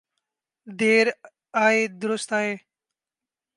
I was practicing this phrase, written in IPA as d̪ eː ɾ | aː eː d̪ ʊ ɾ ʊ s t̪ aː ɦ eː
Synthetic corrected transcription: d̪ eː ɾ | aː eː d̪ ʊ ɾ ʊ s t̪ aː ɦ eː